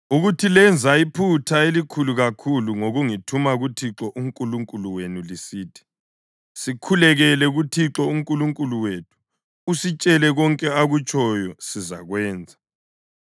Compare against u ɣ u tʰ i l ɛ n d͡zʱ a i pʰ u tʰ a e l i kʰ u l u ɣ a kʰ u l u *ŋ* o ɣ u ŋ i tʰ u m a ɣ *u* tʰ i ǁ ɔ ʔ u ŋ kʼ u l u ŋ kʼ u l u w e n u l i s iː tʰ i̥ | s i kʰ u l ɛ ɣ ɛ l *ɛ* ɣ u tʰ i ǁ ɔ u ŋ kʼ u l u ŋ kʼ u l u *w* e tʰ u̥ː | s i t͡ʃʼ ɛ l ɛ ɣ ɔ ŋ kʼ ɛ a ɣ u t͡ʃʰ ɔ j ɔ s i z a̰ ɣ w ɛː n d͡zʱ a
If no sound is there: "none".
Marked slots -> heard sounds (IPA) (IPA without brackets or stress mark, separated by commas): ŋ, u, ɛ, w